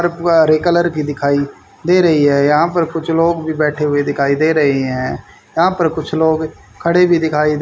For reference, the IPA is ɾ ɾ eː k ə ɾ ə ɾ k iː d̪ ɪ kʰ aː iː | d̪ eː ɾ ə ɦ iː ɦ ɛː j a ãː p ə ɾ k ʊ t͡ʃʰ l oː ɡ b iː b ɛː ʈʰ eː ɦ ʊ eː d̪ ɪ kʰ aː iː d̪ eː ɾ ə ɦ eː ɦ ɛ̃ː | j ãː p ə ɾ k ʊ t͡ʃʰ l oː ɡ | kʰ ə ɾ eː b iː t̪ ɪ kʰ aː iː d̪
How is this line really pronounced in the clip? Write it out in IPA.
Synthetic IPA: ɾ ɾ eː k ə l ə ɾ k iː d̪ ɪ kʰ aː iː | d̪ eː ɾ ə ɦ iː ɦ ɛː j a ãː p ə ɾ k ʊ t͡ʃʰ l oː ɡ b iː b ɛː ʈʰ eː ɦ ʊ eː d̪ ɪ kʰ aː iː d̪ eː ɾ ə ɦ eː ɦ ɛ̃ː | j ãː p ə ɾ k ʊ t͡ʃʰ l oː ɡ | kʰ ə ɽ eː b iː d̪ ɪ kʰ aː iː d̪